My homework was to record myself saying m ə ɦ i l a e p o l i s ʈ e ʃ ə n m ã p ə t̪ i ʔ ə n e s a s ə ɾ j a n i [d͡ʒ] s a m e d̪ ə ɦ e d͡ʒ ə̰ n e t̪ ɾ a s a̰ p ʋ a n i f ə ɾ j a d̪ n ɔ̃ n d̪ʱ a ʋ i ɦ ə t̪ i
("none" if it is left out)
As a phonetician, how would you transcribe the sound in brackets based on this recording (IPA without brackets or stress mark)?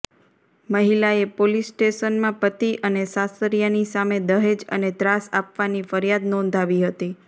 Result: none